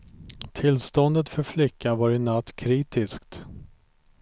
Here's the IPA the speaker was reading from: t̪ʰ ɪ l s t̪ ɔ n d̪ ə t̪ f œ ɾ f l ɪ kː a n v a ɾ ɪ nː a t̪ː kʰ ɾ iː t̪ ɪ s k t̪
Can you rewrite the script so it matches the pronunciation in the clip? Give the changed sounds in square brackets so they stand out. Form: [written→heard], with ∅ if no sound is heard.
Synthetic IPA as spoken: t̪ʰ ɪ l s t̪ ɔ n d̪ ə t̪ f œ ɾ f l ɪ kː a n v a ɾ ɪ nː a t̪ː kʰ ɾ iː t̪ ɪ s k t̪

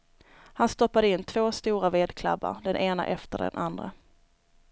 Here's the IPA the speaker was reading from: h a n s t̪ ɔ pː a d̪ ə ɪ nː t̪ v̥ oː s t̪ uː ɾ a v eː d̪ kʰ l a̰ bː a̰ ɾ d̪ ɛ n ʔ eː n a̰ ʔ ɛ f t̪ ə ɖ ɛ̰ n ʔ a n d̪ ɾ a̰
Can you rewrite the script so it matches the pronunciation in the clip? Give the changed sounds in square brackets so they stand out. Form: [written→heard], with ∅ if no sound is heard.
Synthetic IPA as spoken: h a n s t̪ ɔ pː a d̪ ə ɪ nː [t̪→t̪ʰ] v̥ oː s t̪ uː ɾ a v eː d̪ kʰ l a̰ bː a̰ ɾ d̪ ɛ n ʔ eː n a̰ ʔ ɛ f t̪ ə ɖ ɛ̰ n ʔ a n d̪ ɾ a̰

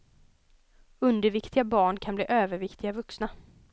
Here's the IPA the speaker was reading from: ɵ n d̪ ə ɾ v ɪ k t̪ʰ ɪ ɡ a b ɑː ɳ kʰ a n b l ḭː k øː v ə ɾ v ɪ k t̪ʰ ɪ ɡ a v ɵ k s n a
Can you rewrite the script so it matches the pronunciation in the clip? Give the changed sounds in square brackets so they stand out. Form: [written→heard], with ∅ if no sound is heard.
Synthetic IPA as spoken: ɵ n d̪ ə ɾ v ɪ k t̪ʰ ɪ ɡ a b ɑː ɳ kʰ a n b l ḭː [k→ʔ] øː v ə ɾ v ɪ k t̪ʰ ɪ ɡ a v ɵ k s n a

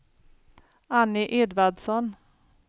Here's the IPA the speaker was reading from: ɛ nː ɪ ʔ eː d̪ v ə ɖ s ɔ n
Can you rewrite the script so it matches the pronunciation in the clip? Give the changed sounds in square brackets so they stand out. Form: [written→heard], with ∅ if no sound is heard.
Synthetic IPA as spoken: [ɛ→a] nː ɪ ʔ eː d̪ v [ə→a] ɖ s ɔ n

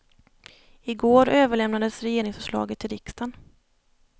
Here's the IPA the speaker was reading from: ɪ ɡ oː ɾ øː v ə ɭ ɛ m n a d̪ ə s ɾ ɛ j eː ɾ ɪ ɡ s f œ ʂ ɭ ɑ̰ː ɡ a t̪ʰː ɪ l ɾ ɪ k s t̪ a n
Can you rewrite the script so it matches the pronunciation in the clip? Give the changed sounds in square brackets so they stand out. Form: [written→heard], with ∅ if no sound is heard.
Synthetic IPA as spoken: ɪ ɡ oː ɾ øː v ə ɭ ɛ m n a d̪ ə s ɾ ɛ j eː ɾ ɪ [ɡ→ŋ] s f œ ʂ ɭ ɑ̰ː ɡ [a→ə] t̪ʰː ɪ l ɾ ɪ k s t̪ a n

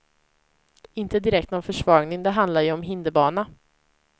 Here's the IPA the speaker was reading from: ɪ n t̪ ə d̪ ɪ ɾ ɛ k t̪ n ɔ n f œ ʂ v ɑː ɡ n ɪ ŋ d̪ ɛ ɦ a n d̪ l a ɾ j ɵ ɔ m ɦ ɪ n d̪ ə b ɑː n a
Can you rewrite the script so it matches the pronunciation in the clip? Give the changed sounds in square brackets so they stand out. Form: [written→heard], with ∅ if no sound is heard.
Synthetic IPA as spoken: ɪ n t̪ ə d̪ ɪ ɾ ɛ k t̪ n ɔ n f œ ʂ v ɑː ɡ n ɪ ŋ d̪ ɛ ɦ a n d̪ l a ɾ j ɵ ɔ m ɦ ɪ n d̪ ə b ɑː n a

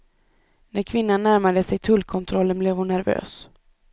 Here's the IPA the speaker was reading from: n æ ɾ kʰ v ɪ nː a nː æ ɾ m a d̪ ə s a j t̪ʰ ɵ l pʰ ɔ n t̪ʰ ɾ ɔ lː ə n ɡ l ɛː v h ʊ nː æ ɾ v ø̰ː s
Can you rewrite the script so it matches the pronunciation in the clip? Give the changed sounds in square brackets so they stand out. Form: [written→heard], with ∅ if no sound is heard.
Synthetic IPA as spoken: n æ ɾ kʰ v ɪ nː a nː æ ɾ m a d̪ ə s [a→ɛ] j t̪ʰ ɵ l [pʰ→kʰ] ɔ n t̪ʰ ɾ ɔ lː ə n [ɡ→b] l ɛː v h ʊ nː æ ɾ v ø̰ː s

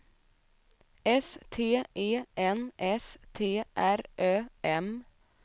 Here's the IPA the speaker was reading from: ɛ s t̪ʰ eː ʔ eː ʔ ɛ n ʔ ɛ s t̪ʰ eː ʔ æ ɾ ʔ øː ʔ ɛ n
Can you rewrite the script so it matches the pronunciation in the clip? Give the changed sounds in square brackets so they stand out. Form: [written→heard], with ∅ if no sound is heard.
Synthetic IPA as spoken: ɛ s t̪ʰ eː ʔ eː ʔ ɛ n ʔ ɛ s t̪ʰ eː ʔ æ ɾ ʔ øː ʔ ɛ [n→m]

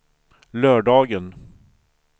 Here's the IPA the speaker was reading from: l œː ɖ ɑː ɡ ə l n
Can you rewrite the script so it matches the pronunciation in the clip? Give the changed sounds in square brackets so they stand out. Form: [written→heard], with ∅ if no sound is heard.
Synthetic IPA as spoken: l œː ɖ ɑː ɡ ə [l→∅] n

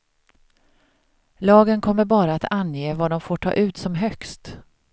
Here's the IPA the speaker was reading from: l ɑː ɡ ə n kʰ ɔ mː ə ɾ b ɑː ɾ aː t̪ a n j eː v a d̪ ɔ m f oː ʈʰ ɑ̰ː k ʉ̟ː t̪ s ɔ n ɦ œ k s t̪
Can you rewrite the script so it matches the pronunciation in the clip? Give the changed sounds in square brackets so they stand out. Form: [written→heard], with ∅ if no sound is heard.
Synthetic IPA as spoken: l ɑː ɡ ə n kʰ ɔ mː ə ɾ b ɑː ɾ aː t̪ a n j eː v a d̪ ɔ m f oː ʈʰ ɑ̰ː [k→ʔ] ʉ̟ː t̪ s ɔ [n→m] ɦ œ k s t̪

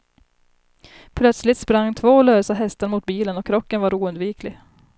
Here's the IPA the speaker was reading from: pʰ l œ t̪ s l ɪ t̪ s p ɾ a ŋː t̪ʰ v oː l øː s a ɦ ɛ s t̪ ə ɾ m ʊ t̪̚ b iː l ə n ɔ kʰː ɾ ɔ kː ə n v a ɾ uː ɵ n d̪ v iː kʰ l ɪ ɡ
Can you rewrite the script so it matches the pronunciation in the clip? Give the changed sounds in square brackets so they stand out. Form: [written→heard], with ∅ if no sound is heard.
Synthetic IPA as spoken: pʰ l œ t̪ s l ɪ t̪ s p ɾ a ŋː t̪ʰ v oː l øː s a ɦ ɛ s t̪ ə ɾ m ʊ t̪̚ b iː l ə n ɔ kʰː ɾ ɔ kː ə n v a ɾ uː ɵ n d̪ v iː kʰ l ɪ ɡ

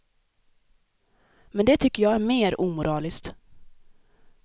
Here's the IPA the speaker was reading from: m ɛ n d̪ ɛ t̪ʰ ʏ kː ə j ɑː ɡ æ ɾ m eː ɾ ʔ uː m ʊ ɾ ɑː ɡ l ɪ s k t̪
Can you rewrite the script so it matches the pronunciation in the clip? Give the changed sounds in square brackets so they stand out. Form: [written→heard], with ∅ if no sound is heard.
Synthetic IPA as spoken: m ɛ n d̪ ɛ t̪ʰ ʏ kː ə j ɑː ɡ æ ɾ m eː ɾ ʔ uː m ʊ ɾ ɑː [ɡ→∅] l ɪ s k t̪

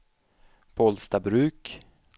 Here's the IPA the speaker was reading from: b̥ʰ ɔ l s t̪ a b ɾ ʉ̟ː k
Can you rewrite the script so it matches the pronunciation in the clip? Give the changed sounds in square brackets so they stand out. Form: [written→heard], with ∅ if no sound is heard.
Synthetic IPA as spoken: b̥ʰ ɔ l s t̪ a b ɾ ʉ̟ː k

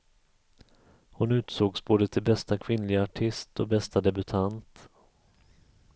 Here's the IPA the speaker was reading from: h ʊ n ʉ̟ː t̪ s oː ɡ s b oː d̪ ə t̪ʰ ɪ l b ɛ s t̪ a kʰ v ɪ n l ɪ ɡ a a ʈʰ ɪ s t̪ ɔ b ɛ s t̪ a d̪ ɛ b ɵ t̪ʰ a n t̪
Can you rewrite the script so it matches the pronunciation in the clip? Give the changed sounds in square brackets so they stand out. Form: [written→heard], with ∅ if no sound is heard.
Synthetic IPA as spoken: h ʊ n ʉ̟ː t̪ s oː ɡ s b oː d̪ ə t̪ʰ ɪ l b ɛ s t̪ a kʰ v ɪ n l ɪ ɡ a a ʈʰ ɪ s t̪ ɔ b ɛ s t̪ a d̪ ɛ b ɵ t̪ʰ a n t̪

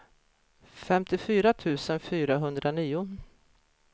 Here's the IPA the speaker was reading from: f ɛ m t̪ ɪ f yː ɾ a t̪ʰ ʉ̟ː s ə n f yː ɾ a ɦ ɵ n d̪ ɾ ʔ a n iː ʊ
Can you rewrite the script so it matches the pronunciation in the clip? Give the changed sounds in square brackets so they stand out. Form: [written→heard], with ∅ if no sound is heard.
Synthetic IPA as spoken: f ɛ m t̪ ɪ f yː ɾ a t̪ʰ ʉ̟ː s ə n f yː ɾ a ɦ ɵ n d̪ ɾ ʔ a n iː ʊ

